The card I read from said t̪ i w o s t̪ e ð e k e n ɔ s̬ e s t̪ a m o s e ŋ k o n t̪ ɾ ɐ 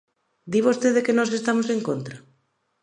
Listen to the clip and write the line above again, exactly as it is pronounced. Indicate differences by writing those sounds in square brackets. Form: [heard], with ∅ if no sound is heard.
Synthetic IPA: [d̪] i [β] o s t̪ e ð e k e n ɔ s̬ e s t̪ a m o s e ŋ k o n t̪ ɾ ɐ